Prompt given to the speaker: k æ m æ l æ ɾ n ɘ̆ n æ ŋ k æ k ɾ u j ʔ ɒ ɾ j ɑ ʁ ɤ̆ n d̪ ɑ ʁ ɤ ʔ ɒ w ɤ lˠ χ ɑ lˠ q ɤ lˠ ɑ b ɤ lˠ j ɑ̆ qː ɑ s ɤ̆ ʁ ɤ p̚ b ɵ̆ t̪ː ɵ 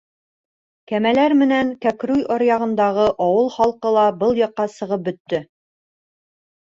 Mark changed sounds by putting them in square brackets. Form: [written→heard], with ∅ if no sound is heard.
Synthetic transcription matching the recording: k æ m æ l æ ɾ [n→m] ɘ̆ n æ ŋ k æ k ɾ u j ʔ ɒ ɾ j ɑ ʁ ɤ̆ n d̪ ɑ ʁ ɤ ʔ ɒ w ɤ lˠ χ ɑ lˠ q ɤ lˠ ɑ b ɤ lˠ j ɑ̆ qː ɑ s ɤ̆ ʁ ɤ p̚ b ɵ̆ t̪ː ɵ

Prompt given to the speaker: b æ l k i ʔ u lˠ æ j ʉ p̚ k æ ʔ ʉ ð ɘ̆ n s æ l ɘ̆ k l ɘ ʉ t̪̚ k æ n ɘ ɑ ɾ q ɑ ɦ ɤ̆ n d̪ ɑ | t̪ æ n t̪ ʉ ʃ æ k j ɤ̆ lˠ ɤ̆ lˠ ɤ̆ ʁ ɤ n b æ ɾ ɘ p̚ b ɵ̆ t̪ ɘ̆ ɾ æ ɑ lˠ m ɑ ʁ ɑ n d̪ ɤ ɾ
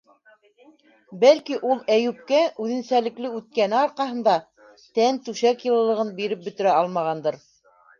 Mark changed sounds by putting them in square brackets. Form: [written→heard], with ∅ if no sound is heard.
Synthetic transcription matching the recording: b æ l k i ʔ u lˠ æ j ʉ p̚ k æ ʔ ʉ ð ɘ̆ n s æ l ɘ̆ k l ɘ ʉ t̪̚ k æ n ɘ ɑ ɾ q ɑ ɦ ɤ̆ n d̪ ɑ | t̪ æ n t̪ ʉ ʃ æ k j ɤ̆ lˠ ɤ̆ lˠ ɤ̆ ʁ ɤ n b [æ→i] ɾ ɘ p̚ b ɵ̆ t̪ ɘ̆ ɾ æ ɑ lˠ m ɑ ʁ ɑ n d̪ ɤ ɾ

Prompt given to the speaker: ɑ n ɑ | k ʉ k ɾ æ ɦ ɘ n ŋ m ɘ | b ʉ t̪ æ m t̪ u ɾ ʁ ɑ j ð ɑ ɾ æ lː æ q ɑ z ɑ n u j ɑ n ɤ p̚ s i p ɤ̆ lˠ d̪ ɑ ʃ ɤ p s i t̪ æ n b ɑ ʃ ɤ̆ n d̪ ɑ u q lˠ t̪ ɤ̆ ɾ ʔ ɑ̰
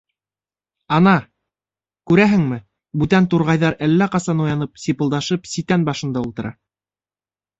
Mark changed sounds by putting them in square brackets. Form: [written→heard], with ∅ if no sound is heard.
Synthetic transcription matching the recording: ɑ n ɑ | k ʉ [k→∅] ɾ æ ɦ ɘ [n→∅] ŋ m ɘ | b ʉ t̪ æ [m→n] t̪ u ɾ ʁ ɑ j ð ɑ ɾ æ lː æ q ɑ [z→s] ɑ n u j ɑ n ɤ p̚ s i p ɤ̆ lˠ d̪ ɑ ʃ ɤ p s i t̪ æ n b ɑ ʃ ɤ̆ n d̪ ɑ u [q→∅] lˠ t̪ ɤ̆ ɾ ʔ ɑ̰

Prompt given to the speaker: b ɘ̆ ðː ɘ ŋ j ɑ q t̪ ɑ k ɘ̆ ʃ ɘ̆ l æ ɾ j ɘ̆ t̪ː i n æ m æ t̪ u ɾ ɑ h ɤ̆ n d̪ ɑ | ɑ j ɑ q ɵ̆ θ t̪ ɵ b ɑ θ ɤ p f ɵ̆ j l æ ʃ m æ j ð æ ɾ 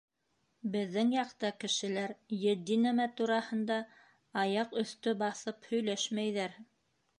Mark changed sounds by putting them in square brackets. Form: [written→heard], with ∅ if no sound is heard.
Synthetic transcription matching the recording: b ɘ̆ ðː ɘ ŋ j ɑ q t̪ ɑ k ɘ̆ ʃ ɘ̆ l æ ɾ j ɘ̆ [t̪ː→d̪ː] i n æ m æ t̪ u ɾ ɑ h ɤ̆ n d̪ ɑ | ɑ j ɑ q ɵ̆ θ t̪ ɵ b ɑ θ ɤ p [f→h] ɵ̆ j l æ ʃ m æ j ð æ ɾ

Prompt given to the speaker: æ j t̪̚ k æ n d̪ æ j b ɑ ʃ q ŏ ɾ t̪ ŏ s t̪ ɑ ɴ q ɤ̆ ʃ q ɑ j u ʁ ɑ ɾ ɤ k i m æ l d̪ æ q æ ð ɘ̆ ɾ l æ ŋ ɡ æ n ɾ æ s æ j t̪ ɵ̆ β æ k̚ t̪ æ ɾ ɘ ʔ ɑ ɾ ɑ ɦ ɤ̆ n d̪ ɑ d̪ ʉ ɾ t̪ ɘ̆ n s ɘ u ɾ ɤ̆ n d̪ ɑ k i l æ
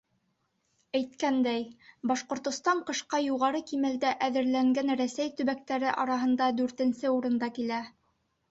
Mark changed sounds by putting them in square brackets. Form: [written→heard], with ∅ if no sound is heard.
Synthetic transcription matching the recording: æ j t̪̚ k æ n d̪ æ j b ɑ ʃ q ŏ ɾ t̪ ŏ s t̪ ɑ ɴ q ɤ̆ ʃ q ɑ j u ʁ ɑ ɾ ɤ k i m æ l d̪ æ [q→ʔ] æ ð ɘ̆ ɾ l æ ŋ ɡ æ n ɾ æ s æ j t̪ ɵ̆ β æ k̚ t̪ æ ɾ ɘ ʔ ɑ ɾ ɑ ɦ ɤ̆ n d̪ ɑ d̪ ʉ ɾ t̪ ɘ̆ n s ɘ u ɾ ɤ̆ n d̪ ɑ k i l æ

